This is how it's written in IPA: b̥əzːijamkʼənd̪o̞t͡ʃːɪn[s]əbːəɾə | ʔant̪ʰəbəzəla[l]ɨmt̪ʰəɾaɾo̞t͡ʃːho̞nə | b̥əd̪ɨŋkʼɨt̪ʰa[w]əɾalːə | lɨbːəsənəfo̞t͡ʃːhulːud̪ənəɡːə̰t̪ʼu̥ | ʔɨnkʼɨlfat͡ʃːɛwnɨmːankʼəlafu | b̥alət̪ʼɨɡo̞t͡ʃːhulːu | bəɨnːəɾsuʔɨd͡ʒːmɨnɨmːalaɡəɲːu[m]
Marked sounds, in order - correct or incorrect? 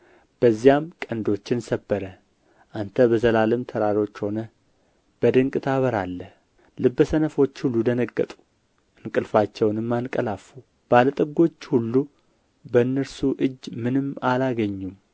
correct, correct, incorrect, correct

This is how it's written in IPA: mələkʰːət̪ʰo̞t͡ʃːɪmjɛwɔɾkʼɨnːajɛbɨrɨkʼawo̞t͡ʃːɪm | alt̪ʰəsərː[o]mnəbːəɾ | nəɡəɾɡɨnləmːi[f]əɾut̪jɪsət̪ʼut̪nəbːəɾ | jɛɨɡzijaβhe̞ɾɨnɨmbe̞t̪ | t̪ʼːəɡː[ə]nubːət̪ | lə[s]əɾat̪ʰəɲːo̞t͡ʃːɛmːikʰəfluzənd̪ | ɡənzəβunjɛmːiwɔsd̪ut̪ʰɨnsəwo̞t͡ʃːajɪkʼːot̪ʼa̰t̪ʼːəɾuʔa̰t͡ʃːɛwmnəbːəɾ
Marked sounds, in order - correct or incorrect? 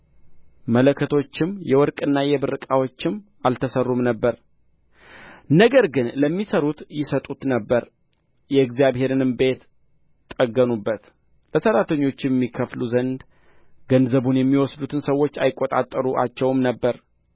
incorrect, incorrect, correct, correct

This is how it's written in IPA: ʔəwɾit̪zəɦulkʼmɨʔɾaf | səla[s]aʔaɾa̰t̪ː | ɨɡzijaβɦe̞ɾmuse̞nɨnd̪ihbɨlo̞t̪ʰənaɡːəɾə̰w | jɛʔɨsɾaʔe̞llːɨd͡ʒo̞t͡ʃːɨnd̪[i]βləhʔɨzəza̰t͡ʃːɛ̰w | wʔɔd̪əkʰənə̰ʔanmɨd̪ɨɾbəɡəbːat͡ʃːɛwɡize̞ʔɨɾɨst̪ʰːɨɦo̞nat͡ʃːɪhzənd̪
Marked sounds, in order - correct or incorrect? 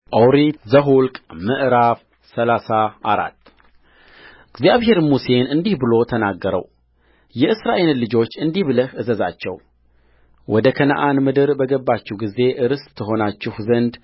correct, correct

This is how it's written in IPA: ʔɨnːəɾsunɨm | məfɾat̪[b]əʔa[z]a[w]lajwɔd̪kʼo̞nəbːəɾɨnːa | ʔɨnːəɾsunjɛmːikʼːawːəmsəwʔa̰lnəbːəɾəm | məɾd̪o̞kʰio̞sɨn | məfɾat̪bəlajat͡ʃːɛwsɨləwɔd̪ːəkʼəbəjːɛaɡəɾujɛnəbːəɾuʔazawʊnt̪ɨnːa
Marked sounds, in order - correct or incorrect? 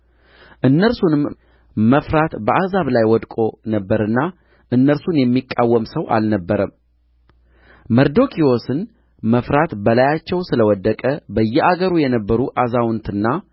correct, correct, incorrect

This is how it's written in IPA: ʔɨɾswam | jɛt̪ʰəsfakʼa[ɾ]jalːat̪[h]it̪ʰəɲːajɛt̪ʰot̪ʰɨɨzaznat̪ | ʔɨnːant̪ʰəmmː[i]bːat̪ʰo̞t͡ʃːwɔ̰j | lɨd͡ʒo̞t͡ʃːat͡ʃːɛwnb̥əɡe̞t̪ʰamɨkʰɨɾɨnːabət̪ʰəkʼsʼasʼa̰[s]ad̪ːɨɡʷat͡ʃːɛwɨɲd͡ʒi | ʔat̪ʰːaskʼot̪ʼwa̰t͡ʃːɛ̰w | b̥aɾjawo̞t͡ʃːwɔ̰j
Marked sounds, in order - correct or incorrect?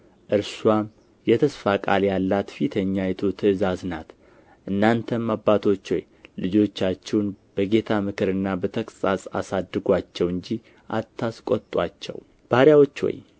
incorrect, incorrect, incorrect, correct

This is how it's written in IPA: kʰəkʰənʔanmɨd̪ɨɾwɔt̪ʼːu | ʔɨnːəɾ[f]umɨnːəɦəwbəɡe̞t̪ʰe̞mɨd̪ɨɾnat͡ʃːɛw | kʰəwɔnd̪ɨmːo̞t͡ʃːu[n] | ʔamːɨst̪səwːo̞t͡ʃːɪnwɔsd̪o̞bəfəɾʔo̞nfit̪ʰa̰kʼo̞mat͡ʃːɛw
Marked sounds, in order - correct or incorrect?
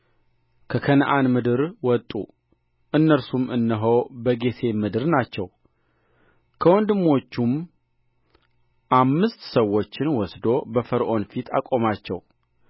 incorrect, incorrect

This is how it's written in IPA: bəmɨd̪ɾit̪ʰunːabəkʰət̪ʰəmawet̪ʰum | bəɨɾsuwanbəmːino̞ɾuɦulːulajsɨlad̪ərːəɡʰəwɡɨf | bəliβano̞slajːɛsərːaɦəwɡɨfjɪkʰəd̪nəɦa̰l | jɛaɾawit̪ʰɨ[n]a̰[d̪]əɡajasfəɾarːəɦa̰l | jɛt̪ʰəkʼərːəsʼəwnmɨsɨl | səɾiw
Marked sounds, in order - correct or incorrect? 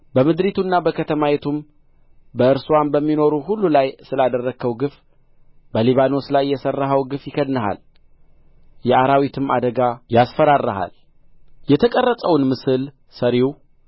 incorrect, correct

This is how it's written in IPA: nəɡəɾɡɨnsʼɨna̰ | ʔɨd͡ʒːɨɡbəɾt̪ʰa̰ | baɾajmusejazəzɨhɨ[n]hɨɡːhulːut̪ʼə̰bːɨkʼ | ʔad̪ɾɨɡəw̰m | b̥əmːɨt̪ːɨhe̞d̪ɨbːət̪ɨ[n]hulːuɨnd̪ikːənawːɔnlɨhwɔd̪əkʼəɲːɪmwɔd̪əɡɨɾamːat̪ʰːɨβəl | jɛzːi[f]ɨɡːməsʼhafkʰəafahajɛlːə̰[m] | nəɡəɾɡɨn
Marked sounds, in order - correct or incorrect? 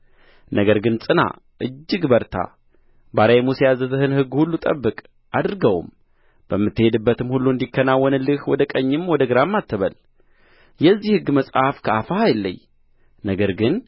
correct, incorrect, incorrect, incorrect

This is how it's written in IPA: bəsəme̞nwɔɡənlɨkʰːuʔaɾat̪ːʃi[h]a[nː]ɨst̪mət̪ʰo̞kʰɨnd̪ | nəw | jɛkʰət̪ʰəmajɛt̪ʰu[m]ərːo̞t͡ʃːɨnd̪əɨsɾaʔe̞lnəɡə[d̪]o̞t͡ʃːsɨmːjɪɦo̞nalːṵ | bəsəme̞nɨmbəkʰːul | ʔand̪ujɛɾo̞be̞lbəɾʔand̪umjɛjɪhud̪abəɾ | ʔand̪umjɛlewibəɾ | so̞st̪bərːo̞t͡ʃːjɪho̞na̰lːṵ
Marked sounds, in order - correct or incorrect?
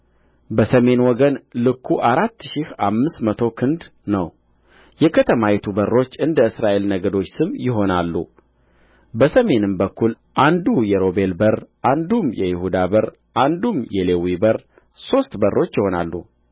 correct, incorrect, incorrect, correct

